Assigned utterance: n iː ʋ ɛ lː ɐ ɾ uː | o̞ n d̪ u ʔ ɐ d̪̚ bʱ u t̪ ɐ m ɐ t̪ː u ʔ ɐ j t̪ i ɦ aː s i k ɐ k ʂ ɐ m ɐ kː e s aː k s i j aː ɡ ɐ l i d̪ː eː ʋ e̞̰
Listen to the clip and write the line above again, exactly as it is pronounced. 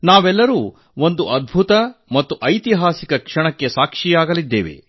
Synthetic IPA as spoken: n aː ʋ ɛ lː ɐ ɾ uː | o̞ n d̪ u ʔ ɐ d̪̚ bʱ u t̪ ɐ m ɐ t̪ː u ʔ ɐ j t̪ i ɦ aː s i k ɐ k ʂ ɐ ɳ ɐ kː e s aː k ʂ i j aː ɡ ɐ l i d̪ː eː ʋ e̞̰